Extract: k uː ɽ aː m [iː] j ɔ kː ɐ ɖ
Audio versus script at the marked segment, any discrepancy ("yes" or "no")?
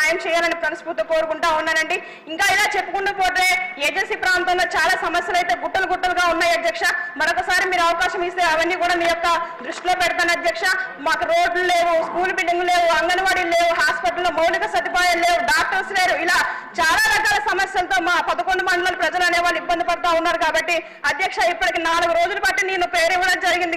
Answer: no